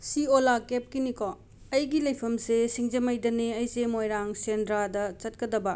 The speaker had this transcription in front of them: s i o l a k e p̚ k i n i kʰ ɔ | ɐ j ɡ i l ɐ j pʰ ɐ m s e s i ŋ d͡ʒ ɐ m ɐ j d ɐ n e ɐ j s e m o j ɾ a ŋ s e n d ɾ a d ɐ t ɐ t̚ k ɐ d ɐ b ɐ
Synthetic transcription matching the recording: s i o l a k e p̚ k i n i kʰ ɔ | ɐ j ɡ i l ɐ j pʰ ɐ m s e s i ŋ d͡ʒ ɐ m ɐ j d ɐ n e ɐ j s e m o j ɾ a ŋ s e n d ɾ a d ɐ t͡ʃ ɐ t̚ k ɐ d ɐ b ɐ